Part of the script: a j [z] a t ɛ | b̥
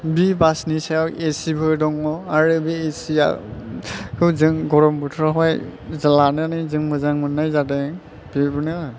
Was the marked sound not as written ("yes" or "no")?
no